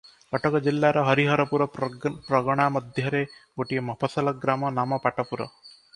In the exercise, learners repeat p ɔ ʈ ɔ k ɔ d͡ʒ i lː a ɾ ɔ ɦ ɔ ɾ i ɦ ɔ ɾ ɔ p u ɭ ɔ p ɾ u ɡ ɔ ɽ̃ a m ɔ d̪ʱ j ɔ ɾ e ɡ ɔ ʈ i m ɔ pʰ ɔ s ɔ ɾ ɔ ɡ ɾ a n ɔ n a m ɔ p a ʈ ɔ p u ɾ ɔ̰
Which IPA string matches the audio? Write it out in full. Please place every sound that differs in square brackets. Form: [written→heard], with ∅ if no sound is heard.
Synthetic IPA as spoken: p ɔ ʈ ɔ k ɔ d͡ʒ i lː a ɾ ɔ ɦ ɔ ɾ i ɦ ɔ ɾ ɔ p u [ɭ→ɾ] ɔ p ɾ [u→ɔ] ɡ ɔ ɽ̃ a m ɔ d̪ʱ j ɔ ɾ e ɡ [ɔ→o] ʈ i m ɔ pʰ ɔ s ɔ [ɾ→l] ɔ ɡ ɾ a [n→m] ɔ n a m ɔ p a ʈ ɔ p u ɾ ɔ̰